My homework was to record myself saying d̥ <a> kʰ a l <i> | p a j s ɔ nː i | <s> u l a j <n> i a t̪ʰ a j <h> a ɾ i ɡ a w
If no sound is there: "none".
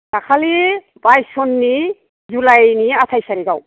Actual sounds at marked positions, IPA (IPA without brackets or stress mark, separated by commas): a, i, z, n, s